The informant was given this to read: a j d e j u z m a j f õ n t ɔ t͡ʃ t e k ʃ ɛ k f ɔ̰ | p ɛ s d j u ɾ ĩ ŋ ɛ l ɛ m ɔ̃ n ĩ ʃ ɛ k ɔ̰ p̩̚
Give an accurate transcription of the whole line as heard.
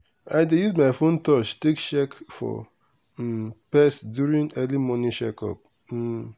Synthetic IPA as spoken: a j d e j u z m a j f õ n t ɔ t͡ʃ t e k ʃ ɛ k f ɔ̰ | p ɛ s d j u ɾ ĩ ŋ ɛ l i m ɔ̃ n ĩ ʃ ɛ k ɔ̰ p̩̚